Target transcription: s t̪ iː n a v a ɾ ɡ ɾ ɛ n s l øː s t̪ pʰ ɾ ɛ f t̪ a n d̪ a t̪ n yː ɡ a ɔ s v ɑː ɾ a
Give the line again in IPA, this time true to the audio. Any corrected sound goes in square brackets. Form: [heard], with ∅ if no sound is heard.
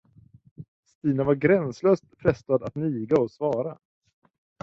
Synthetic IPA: s t̪ iː n a v a ɾ ɡ ɾ ɛ n s l øː s t̪ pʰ ɾ ɛ [s] t̪ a [∅] d̪ a t̪ n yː ɡ a ɔ s v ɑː ɾ a